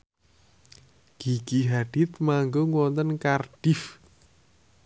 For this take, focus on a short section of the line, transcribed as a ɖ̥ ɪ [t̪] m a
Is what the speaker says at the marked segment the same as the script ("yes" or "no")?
yes